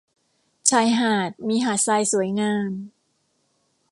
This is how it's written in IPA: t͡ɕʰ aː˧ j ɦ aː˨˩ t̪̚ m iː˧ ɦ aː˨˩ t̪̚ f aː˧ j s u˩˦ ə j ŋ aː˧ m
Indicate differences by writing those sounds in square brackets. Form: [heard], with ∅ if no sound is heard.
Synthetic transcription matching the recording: t͡ɕʰ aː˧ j ɦ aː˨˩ t̪̚ m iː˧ ɦ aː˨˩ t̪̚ [s] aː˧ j s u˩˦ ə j ŋ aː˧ m